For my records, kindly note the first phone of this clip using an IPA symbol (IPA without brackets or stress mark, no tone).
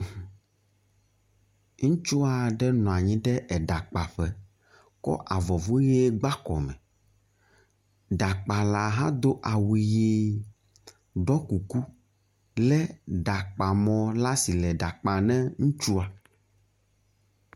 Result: ŋ